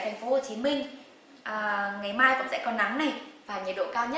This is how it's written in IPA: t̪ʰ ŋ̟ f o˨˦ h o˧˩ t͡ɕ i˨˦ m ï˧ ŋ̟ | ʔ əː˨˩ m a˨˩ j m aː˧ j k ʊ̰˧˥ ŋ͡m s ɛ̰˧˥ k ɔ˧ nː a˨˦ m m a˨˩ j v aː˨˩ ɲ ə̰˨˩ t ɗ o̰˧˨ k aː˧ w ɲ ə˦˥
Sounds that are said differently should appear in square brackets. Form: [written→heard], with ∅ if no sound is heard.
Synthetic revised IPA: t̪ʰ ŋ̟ f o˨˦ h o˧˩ t͡ɕ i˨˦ m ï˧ ŋ̟ | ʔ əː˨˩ [m→ŋ] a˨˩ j m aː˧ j k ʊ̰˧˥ ŋ͡m s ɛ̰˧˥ k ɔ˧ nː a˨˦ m [m→n] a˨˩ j v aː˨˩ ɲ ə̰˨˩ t ɗ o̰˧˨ k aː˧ w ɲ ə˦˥